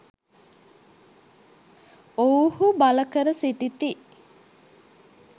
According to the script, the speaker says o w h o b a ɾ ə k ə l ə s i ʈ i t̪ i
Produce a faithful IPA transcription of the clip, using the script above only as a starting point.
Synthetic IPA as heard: o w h u b a l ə k ə ɾ ə s i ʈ i t̪ i